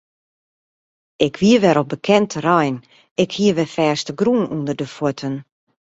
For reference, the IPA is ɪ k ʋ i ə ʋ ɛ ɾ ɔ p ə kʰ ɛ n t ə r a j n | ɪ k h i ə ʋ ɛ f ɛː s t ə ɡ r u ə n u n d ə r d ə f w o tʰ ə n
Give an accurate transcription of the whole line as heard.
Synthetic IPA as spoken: ɪ k ʋ i ə ʋ ɛ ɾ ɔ b ə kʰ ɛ n t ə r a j n | ɪ k h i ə ʋ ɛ f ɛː s t ə ɡ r u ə n u n d ə r d ə f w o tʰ ə n